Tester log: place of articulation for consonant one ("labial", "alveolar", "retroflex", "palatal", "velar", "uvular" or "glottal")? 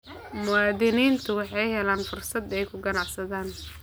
labial